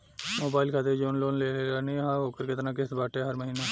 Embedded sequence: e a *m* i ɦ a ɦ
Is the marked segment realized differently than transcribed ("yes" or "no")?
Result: yes